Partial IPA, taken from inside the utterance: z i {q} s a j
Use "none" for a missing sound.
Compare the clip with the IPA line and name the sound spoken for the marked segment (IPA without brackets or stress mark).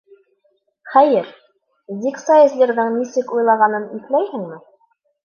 k